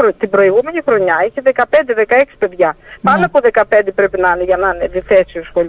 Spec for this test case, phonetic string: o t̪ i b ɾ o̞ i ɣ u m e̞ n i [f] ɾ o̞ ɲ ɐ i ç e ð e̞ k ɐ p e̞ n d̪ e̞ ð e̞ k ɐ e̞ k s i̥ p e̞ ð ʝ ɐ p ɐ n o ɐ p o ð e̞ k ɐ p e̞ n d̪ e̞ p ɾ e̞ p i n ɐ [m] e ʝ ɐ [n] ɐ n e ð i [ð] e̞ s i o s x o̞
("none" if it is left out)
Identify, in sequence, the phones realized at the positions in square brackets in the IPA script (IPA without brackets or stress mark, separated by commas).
x, n, n, θ